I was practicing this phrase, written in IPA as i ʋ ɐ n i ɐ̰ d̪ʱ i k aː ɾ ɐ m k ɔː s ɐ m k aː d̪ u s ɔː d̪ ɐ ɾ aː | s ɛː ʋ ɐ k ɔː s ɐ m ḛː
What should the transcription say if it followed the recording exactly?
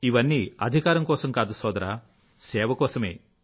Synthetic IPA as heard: i ʋ ɐ nː i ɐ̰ d̪ʱ i k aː ɾ ɐ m k ɔː s ɐ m k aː d̪ u s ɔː d̪ ɐ ɾ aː | s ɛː ʋ ɐ k ɔː s ɐ m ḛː

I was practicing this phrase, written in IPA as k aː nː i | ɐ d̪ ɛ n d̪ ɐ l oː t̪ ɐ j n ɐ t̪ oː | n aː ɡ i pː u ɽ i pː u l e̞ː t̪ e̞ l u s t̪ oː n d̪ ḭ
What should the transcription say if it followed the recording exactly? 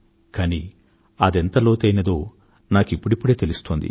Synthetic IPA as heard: k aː n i | ɐ d̪ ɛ n t̪ ɐ l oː t̪ ɐ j n ɐ d̪ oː | n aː k i pː u ɽ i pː u ɽ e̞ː t̪ e̞ l u s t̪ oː n d̪ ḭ

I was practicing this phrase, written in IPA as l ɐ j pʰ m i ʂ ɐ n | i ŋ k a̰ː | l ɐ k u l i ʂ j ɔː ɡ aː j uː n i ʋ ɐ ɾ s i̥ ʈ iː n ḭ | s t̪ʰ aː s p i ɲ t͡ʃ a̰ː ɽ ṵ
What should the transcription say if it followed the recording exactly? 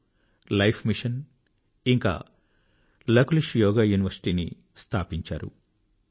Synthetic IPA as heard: l ɐ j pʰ m i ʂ ɐ n | i ŋ k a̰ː | l ɐ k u l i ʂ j ɔː ɡ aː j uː n i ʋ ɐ ɾ s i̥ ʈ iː n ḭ | s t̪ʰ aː p i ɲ t͡ʃ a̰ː ɾ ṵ

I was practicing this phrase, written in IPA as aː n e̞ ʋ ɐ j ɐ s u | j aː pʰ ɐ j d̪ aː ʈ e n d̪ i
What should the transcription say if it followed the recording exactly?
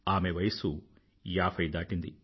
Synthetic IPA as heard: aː m e̞ ʋ ɐ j ɐ s u | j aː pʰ ɐ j d̪ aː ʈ i n d̪ i

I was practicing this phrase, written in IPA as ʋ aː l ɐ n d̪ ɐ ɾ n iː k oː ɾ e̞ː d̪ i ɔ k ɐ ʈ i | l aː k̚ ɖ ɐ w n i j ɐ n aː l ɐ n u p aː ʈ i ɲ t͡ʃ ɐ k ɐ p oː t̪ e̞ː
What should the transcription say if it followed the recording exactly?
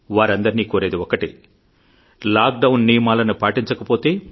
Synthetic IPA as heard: ʋ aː ɾ ɐ n d̪ ɐ ɾ n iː k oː ɾ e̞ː d̪ i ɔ k ɐ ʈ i | l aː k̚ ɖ ɐ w nː i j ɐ m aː l ɐ n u p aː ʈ i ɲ t͡ʃ ɐ k ɐ p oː t̪ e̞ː

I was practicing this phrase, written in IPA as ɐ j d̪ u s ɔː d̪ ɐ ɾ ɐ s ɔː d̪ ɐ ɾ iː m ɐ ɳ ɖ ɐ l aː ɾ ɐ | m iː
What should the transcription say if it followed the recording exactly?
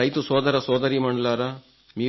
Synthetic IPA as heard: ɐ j t̪ u s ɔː d̪ ɐ ɾ ɐ s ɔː d̪ ɐ ɾ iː m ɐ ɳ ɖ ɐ l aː ɾ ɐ | m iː

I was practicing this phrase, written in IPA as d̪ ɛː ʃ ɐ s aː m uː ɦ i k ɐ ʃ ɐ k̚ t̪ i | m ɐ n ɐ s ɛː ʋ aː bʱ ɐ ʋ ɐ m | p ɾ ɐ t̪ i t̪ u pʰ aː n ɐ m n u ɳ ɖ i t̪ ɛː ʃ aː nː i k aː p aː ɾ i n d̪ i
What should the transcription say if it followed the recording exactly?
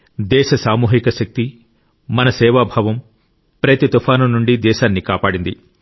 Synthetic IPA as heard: d̪ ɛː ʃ ɐ s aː m uː ɦ i k ɐ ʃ ɐ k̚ t̪ i | m ɐ n ɐ s ɛː ʋ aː bʱ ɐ ʋ ɐ m | p ɾ ɐ t̪ i t̪ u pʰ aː n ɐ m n u ɳ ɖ i d̪ ɛː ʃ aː nː i k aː p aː ɽ i n d̪ i

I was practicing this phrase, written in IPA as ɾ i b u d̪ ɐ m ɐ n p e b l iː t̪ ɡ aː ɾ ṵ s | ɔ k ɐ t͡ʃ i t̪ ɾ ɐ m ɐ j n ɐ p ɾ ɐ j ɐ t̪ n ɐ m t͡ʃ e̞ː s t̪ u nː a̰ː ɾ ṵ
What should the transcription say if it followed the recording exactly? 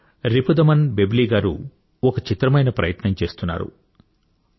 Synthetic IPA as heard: ɾ i p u d̪ ɐ m ɐ n b e b l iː ɡ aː ɾ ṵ | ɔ k ɐ t͡ʃ i t̪ ɾ ɐ m ɐ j n ɐ p ɾ ɐ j ɐ t̪ n ɐ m t͡ʃ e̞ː s t̪ u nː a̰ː ɾ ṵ

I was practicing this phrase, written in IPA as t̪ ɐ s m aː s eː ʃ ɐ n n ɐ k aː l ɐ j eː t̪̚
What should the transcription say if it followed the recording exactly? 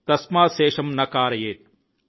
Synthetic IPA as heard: t̪ ɐ s m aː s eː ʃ ɐ m n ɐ k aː ɾ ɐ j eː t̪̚

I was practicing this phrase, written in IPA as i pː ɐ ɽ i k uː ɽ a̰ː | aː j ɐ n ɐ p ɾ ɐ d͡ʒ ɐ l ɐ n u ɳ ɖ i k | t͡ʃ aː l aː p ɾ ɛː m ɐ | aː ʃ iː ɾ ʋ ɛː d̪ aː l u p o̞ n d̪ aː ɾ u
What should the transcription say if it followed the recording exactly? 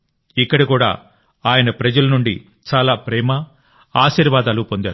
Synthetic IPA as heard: i kː ɐ ɽ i k uː ɽ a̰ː | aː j ɐ n ɐ p ɾ ɐ d͡ʒ ɐ l ɐ n u ɳ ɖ i | t͡ʃ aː l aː p ɾ ɛː m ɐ | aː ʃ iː ɾ ʋ aː d̪ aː l u p o̞ n d̪ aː ɾ u

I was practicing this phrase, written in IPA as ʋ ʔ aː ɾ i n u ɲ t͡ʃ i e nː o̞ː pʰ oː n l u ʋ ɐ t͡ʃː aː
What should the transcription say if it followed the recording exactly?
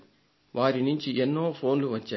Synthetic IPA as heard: ʋ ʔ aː ɾ i n u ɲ t͡ʃ i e nː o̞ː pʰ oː n l u ʋ ɐ t͡ʃː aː

